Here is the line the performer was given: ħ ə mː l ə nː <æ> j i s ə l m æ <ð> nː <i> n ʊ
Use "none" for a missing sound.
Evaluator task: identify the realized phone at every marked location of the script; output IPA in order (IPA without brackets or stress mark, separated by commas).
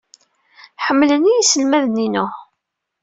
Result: i, ð, i